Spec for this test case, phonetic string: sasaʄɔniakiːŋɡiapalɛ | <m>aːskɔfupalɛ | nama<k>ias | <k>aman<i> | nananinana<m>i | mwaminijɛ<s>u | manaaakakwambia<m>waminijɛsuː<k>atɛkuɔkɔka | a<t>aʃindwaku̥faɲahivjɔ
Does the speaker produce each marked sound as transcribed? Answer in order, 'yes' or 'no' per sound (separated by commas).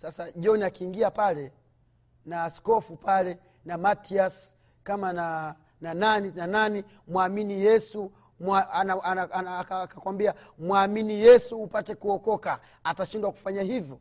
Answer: no, no, yes, no, no, yes, yes, no, yes